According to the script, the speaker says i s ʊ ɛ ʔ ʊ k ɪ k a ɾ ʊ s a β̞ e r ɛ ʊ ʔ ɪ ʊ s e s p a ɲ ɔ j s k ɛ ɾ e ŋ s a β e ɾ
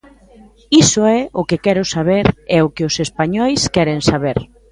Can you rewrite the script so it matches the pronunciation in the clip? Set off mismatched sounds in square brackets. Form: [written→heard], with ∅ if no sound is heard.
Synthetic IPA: i s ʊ ɛ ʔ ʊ k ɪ k [a→ɛ] ɾ ʊ s a β̞ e [r→ɾ] ɛ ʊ [ʔ→k] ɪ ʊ s e s p a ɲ ɔ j s k ɛ ɾ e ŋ s a β e ɾ